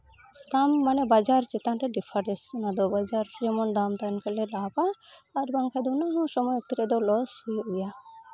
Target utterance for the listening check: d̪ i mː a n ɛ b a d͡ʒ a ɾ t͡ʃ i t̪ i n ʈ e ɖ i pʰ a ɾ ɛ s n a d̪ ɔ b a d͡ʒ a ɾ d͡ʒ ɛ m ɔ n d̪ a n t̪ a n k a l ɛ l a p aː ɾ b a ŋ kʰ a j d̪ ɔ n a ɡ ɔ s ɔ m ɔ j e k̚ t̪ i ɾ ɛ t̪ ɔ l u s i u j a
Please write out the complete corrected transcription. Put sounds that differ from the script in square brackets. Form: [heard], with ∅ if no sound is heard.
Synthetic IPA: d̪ [a] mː a n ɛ b a d͡ʒ a ɾ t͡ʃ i t̪ [a] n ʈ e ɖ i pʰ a ɾ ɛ s n a d̪ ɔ b a d͡ʒ a ɾ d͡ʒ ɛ m ɔ n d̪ a [m] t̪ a n k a l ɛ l a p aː ɾ b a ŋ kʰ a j d̪ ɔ n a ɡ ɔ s ɔ m ɔ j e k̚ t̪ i ɾ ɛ [d̪] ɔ l [ɔ] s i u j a